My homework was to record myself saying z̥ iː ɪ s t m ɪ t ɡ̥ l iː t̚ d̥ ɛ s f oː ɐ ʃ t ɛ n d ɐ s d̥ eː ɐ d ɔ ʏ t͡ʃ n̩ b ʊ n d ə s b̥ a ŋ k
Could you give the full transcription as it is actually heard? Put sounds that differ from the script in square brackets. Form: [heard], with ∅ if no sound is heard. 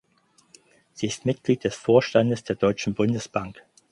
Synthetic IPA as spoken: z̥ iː ɪ s t m ɪ t ɡ̥ l iː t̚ d̥ ɛ s f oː ɐ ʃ t [a] n d [ə] s d̥ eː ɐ d ɔ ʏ t͡ʃ n̩ b ʊ n d ə s b̥ a ŋ k